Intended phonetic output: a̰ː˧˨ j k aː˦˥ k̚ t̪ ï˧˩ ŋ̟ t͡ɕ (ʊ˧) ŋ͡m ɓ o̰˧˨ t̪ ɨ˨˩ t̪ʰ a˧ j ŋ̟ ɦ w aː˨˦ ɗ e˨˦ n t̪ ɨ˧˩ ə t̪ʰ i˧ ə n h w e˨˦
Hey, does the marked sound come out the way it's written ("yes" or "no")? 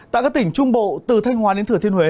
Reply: yes